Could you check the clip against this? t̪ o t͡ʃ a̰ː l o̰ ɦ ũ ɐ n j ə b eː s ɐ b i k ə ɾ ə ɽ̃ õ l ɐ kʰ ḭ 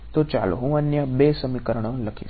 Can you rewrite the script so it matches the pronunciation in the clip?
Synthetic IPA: t̪ o t͡ʃ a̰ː l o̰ ɦ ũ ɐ n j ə b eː s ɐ m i k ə ɾ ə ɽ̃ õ l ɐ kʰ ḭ